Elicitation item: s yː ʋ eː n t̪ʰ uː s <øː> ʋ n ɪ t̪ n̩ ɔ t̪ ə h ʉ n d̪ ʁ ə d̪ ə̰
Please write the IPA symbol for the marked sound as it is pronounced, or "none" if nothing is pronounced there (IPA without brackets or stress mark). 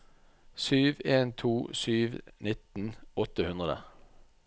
yː